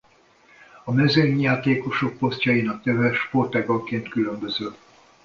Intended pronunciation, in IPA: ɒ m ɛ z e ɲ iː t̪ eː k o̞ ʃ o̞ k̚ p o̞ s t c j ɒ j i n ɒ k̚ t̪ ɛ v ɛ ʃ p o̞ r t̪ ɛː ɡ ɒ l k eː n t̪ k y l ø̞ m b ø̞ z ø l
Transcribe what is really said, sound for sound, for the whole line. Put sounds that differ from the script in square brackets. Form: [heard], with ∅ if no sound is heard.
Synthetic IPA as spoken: ɒ m ɛ z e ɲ [aː] t̪ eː k o̞ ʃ o̞ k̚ p o̞ s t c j ɒ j i n ɒ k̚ t̪ ɛ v ɛ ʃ p o̞ r t̪ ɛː ɡ ɒ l k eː n t̪ k y l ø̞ m b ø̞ z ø l

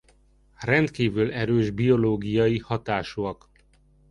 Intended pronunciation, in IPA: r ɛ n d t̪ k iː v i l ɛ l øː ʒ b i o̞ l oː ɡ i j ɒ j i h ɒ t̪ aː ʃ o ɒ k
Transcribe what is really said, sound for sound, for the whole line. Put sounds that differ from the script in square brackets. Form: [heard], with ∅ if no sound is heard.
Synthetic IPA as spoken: r ɛ n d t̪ k iː v [y] l ɛ [ɾ] øː ʒ b i o̞ l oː ɡ i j ɒ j i h ɒ t̪ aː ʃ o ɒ k

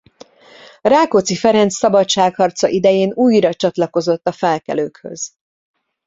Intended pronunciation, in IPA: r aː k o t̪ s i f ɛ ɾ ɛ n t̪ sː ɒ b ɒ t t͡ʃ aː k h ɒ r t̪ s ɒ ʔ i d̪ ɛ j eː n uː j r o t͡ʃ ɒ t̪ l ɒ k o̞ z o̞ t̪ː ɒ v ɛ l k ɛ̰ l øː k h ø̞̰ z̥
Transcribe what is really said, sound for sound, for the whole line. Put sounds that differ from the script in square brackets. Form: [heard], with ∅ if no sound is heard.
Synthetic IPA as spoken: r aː k o t̪ s i f ɛ ɾ ɛ n t̪ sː ɒ b ɒ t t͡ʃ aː k h ɒ r t̪ s ɒ ʔ i d̪ ɛ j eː n uː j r [ɒ] t͡ʃ ɒ t̪ l ɒ k o̞ z o̞ t̪ː ɒ [f] ɛ l k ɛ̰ l øː k h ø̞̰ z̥

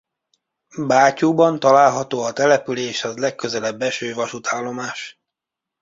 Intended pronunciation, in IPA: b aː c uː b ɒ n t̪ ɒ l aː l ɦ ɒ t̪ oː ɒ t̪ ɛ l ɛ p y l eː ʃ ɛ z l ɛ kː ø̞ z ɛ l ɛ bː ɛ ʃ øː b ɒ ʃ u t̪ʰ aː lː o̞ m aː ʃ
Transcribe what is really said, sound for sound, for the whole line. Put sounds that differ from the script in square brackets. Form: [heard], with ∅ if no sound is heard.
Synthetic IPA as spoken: b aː c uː b ɒ n t̪ ɒ l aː l ɦ ɒ t̪ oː ɒ t̪ ɛ l ɛ p y l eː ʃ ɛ z l ɛ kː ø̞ z ɛ l ɛ bː ɛ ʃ øː [v] ɒ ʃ u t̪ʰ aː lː o̞ m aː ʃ

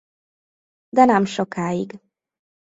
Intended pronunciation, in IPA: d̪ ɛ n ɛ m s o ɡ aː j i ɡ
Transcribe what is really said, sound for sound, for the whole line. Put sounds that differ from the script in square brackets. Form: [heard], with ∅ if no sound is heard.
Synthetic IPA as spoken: d̪ ɛ n ɛ m [ʃ] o [k] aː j i ɡ

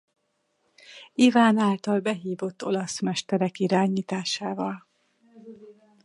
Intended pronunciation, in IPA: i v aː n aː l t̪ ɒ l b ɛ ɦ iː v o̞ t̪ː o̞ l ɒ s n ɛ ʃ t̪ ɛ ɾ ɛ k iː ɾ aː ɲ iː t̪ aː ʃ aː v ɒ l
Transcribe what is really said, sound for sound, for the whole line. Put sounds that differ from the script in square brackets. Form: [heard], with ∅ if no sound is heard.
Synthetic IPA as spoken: i v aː n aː l t̪ ɒ l b ɛ ɦ iː v o̞ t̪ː o̞ l ɒ s [m] ɛ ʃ t̪ ɛ ɾ ɛ k [i] ɾ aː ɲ iː t̪ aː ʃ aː v ɒ l

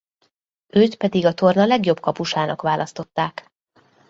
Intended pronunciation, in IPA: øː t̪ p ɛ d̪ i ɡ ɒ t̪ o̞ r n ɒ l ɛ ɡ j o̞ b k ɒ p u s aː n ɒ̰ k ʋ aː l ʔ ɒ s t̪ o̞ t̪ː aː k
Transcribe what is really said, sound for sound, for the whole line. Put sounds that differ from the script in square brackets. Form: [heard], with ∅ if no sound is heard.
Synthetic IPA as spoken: øː t̪ p ɛ d̪ i ɡ ɒ t̪ o̞ r n ɒ l ɛ ɡ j o̞ b k ɒ p u [ʃ] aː n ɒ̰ k ʋ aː l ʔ ɒ s t̪ o̞ t̪ː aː k

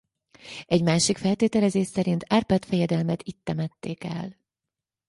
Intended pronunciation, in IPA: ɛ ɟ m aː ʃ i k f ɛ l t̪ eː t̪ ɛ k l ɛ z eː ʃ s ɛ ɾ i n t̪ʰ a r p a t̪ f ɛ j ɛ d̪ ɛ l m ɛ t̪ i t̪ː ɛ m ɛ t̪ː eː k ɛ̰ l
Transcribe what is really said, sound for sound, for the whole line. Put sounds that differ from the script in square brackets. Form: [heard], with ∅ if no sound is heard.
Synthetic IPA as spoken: ɛ ɟ m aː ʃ i k f ɛ l t̪ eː t̪ ɛ [∅] l ɛ z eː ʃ s ɛ ɾ i n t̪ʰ a r p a t̪ f ɛ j ɛ d̪ ɛ l m ɛ t̪ i t̪ː ɛ m ɛ t̪ː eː k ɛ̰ l

